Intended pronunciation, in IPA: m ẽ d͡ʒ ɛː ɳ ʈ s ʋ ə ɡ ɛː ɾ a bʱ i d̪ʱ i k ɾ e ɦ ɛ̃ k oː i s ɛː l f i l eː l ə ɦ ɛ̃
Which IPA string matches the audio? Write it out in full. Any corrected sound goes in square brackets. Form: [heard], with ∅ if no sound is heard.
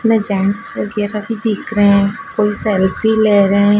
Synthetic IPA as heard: m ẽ d͡ʒ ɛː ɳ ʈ s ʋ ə ɡ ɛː ɾ a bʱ i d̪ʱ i k ɾ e ɦ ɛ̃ k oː i s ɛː l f i l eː [ɾ] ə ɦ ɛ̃